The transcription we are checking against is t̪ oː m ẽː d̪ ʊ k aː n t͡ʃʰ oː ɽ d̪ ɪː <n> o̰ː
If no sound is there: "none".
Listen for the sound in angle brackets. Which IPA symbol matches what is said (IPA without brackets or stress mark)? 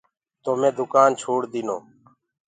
n